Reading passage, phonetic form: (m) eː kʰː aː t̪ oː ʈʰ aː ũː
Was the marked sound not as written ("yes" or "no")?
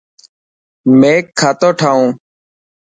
no